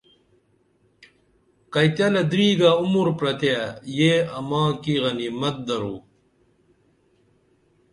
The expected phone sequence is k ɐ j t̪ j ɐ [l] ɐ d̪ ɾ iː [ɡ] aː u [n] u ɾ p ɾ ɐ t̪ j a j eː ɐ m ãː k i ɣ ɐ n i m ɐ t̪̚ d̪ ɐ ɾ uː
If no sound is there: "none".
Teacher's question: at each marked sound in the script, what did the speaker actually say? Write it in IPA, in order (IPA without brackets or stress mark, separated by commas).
l, ɡ, m